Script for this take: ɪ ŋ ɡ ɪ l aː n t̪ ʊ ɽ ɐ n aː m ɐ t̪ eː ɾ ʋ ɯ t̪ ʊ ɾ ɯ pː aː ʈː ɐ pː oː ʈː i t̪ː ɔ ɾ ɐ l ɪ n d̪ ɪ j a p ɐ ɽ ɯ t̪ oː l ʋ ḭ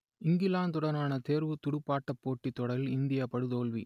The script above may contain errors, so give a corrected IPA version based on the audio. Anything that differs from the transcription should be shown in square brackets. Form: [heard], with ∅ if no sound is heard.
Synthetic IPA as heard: ɪ ŋ ɡ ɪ l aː n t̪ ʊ ɽ ɐ n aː [n] ɐ t̪ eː ɾ ʋ ɯ t̪ ʊ [ɽ] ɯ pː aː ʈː ɐ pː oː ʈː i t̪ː ɔ [ɽ] ɐ l ɪ n d̪ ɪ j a p ɐ ɽ ɯ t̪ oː l ʋ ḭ